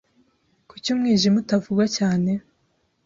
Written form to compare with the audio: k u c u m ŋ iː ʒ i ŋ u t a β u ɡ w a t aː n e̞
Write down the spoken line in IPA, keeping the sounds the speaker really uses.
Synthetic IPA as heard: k u c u m ŋ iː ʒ i m u t a v u ɡ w a c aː n e̞